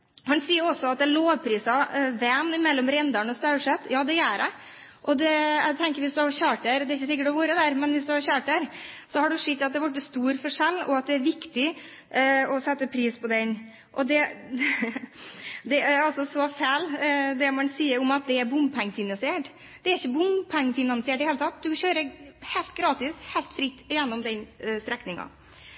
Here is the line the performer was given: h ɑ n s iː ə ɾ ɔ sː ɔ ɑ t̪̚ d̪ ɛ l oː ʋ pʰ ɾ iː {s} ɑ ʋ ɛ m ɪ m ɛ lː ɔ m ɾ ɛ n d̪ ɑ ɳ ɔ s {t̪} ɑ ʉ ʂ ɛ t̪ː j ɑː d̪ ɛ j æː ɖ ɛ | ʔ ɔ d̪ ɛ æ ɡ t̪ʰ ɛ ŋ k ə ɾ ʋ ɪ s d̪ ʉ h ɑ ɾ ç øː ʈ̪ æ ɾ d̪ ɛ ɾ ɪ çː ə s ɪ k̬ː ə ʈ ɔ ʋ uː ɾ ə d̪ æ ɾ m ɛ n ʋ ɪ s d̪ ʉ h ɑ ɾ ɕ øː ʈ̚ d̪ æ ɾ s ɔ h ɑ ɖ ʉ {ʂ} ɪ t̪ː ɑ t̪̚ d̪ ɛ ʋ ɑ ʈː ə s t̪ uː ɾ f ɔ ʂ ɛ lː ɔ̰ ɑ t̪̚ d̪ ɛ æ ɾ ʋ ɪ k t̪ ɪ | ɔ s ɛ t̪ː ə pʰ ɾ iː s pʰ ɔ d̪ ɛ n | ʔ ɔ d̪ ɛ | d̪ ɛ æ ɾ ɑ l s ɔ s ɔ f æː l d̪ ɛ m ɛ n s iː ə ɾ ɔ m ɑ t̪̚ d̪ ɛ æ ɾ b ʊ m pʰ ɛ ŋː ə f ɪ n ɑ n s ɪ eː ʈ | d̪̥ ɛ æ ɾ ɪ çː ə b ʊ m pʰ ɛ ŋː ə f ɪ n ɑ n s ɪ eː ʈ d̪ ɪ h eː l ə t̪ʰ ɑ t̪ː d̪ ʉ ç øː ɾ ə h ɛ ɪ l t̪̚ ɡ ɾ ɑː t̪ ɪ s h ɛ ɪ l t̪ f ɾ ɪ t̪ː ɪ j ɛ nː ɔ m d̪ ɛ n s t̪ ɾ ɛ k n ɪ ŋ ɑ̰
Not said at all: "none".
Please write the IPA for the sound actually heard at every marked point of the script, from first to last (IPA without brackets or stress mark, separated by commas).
s, t̪, ʂ